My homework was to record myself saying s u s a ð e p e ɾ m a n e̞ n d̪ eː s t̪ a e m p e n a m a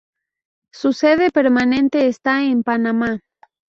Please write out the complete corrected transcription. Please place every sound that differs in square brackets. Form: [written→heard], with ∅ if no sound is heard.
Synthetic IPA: s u s [a→e] ð e p e ɾ m a n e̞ n [d̪→t̪] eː s t̪ a e m p [e→a] n a m a